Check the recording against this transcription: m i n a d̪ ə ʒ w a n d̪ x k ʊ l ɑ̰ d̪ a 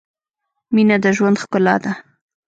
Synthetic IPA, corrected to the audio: m i n a d̪ ə ʒ w a n d̪ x k ʊ l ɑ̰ d̪ a

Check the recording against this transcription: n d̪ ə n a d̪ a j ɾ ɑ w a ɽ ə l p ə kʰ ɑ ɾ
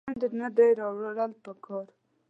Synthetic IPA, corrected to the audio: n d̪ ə n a d̪ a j ɾ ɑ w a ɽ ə l p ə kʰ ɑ ɾ

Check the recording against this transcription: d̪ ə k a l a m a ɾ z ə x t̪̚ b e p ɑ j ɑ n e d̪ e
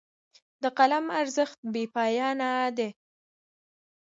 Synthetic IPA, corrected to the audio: d̪ ə q a l a m a ɾ z ə x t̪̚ b e p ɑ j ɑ n a d̪ e

